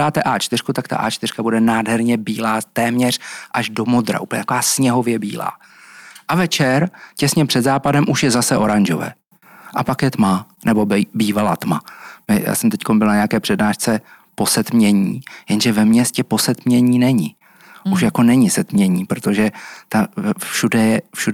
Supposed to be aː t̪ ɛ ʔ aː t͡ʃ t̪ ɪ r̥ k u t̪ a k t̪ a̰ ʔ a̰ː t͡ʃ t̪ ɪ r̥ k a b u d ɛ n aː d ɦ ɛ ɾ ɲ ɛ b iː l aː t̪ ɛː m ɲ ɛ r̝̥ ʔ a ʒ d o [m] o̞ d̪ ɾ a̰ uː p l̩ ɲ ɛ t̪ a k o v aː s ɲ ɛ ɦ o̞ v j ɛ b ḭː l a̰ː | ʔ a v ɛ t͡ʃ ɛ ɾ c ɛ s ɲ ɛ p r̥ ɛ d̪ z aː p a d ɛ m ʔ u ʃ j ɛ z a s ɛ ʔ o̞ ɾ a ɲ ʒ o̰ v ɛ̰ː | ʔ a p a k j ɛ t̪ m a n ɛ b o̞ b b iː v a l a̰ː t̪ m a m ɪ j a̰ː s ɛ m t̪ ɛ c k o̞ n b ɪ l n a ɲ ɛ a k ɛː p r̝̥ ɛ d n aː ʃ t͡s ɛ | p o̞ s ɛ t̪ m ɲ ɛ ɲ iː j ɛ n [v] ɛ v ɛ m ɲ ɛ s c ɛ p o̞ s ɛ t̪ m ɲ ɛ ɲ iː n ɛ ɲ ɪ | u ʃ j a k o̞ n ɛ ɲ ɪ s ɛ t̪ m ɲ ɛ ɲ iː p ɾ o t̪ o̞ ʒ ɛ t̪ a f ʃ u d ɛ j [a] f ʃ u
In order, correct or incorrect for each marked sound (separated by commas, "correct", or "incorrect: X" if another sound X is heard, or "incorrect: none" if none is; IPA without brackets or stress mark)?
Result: correct, incorrect: ʒ, incorrect: ɛ